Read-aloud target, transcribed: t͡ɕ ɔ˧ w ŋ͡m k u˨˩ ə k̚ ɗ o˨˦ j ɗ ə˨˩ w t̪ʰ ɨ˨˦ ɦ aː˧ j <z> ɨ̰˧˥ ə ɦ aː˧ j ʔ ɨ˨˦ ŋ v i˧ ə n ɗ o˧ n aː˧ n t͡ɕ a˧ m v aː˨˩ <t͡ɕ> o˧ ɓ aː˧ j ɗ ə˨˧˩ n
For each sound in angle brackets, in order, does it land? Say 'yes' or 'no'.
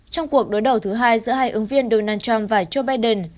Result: yes, yes

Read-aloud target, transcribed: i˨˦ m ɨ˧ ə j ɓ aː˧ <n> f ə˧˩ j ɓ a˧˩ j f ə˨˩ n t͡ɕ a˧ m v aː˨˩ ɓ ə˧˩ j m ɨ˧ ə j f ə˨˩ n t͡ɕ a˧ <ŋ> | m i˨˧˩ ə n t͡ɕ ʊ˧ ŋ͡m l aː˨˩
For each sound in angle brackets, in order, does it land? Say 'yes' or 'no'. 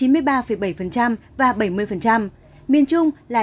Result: no, no

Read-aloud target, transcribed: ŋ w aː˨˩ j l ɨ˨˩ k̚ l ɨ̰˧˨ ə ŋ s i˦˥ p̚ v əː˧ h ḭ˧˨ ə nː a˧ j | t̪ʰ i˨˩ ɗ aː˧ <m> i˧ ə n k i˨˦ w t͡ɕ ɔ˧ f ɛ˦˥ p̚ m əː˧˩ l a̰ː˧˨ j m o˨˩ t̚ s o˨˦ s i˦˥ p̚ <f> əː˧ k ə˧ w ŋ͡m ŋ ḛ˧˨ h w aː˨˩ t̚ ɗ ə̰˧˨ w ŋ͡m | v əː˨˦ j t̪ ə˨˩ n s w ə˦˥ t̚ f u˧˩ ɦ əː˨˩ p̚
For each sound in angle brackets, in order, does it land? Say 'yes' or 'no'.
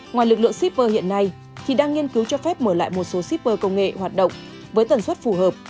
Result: no, no

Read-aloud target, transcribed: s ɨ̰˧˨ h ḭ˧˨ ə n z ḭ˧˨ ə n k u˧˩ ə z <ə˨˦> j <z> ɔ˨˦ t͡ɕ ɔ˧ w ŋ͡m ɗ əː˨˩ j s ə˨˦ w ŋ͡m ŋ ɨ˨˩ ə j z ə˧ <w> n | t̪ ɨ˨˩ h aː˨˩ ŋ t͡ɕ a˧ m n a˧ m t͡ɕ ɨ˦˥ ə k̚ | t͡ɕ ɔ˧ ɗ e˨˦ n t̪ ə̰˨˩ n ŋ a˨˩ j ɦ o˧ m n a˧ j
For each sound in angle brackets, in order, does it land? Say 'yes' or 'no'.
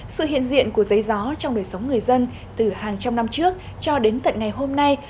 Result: yes, yes, no

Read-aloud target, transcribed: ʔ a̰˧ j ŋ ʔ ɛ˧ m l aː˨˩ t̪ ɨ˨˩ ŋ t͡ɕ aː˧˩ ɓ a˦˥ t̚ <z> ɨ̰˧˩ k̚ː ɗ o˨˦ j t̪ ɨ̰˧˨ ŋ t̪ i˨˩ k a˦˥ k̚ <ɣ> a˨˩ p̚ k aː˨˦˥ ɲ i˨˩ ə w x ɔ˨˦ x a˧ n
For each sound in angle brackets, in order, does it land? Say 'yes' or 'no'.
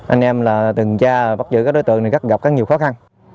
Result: yes, yes

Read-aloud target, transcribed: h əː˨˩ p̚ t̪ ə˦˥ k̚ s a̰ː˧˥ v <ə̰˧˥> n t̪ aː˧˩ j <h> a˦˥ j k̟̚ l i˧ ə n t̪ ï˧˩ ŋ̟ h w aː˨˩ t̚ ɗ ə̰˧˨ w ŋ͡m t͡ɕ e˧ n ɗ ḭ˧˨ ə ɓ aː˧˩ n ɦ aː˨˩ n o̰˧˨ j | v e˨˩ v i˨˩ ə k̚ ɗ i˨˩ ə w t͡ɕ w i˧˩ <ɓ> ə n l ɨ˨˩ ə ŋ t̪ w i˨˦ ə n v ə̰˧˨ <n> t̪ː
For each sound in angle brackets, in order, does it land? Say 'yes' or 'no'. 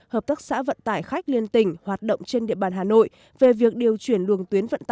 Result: no, no, no, yes

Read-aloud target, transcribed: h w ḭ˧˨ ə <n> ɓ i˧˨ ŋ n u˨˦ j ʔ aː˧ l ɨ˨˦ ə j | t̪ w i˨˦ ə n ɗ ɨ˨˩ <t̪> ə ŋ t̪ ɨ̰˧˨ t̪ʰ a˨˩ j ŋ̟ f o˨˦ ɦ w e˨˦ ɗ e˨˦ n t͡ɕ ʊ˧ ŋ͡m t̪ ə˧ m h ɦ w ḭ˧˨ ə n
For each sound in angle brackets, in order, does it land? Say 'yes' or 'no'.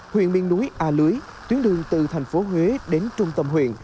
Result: yes, no

